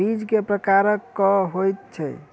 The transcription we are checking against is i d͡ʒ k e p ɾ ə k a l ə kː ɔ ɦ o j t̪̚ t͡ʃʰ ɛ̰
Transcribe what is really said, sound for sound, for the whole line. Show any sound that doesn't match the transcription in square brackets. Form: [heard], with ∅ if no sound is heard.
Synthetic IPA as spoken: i d͡ʒ k e p ɾ ə k a [ɾ] ə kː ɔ ɦ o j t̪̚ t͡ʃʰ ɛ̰